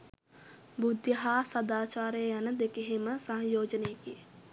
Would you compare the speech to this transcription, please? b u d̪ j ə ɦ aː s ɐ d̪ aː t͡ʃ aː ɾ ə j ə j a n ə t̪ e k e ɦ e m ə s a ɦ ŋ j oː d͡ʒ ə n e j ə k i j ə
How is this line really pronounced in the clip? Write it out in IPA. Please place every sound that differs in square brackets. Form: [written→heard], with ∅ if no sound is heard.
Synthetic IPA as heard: b u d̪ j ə ɦ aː s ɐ d̪ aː t͡ʃ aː ɾ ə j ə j a n ə [t̪→d̪] e k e ɦ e m ə s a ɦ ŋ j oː d͡ʒ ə n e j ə k i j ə